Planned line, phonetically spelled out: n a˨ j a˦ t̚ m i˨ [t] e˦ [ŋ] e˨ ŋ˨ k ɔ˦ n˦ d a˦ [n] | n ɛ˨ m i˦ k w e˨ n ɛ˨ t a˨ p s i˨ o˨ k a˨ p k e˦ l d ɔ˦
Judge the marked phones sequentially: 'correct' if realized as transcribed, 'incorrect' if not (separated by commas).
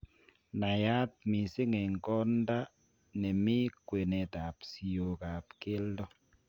incorrect, correct, incorrect